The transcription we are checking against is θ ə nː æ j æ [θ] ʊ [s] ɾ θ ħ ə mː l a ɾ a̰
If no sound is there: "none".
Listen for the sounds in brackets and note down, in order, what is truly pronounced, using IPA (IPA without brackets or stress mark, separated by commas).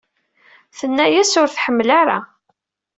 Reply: s, none